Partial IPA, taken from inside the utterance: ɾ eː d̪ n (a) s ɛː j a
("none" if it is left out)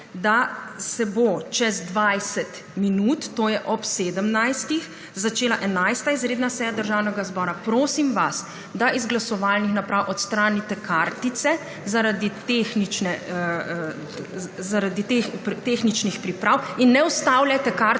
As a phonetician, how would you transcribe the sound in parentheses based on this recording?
a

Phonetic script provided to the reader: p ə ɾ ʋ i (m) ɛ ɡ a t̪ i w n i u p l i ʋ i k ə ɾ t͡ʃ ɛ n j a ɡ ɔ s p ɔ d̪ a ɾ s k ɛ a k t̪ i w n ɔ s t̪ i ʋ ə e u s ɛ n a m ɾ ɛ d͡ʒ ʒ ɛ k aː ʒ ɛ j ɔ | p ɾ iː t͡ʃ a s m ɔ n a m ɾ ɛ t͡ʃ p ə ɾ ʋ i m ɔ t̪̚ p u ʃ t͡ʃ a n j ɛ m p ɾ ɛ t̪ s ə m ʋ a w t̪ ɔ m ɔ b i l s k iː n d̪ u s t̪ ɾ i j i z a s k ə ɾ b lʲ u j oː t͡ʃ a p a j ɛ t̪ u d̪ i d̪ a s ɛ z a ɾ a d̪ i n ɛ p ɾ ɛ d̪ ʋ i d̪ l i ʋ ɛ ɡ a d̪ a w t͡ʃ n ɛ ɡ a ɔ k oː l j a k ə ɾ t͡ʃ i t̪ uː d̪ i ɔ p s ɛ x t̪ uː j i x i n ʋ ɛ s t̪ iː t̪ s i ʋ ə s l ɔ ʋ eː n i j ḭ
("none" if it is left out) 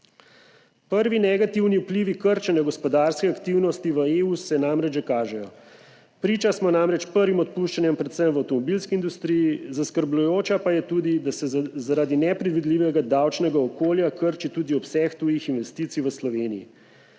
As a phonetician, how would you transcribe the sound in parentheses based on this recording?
n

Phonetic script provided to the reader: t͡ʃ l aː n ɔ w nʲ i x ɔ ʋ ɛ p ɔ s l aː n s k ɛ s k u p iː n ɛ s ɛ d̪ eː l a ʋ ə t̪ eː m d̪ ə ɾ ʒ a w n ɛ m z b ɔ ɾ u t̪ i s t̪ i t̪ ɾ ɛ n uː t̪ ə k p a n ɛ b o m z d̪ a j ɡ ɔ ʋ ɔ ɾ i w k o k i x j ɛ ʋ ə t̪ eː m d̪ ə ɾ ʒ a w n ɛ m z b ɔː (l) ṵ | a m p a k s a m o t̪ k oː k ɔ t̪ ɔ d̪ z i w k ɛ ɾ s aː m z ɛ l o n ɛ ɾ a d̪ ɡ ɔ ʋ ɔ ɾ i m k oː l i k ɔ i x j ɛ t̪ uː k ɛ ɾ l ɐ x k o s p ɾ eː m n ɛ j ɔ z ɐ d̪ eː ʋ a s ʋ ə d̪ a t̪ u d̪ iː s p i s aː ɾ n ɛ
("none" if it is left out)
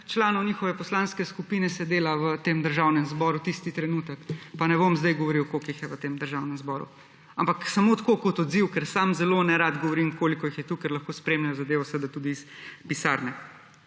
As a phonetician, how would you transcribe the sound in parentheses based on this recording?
ɾ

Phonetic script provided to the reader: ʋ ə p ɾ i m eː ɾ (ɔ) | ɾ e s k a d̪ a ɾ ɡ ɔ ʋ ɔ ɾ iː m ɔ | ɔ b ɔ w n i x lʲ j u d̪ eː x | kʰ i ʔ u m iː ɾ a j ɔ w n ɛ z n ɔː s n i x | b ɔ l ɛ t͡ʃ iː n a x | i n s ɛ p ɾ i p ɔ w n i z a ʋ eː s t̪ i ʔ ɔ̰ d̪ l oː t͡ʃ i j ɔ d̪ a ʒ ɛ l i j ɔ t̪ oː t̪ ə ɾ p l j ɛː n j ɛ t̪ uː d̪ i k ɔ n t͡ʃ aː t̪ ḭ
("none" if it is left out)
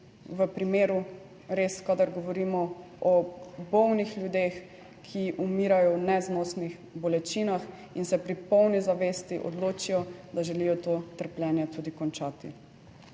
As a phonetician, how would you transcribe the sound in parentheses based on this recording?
u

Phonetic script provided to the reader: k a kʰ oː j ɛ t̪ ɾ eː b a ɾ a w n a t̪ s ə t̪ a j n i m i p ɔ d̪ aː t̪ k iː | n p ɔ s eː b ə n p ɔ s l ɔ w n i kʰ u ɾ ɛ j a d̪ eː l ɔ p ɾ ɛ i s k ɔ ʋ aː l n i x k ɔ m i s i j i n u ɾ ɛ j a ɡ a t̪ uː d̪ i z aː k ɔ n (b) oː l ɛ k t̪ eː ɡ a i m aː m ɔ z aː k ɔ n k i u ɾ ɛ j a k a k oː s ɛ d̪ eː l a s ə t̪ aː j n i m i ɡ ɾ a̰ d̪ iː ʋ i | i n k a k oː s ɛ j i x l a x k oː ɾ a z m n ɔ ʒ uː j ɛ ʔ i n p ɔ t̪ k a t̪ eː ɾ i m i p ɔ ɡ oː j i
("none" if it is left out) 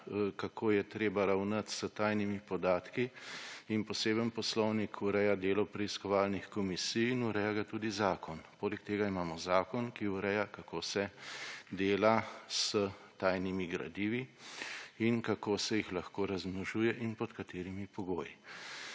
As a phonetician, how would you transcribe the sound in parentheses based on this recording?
p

